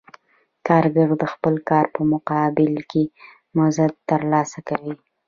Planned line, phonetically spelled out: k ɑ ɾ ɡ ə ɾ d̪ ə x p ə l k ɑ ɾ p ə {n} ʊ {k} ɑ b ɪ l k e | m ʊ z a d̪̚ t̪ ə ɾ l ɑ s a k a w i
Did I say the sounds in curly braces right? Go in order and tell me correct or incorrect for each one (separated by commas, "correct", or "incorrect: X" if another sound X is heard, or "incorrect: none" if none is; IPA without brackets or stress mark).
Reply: incorrect: m, incorrect: q